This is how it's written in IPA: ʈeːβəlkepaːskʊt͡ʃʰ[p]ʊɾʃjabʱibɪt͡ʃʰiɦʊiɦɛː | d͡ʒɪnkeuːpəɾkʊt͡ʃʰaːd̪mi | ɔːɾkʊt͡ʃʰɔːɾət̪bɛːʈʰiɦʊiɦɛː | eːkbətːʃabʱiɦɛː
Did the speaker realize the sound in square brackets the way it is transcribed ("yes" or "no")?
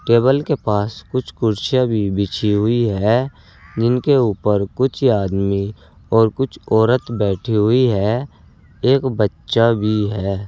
no